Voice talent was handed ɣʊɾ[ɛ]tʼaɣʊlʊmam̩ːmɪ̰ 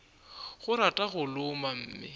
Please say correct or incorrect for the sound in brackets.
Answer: incorrect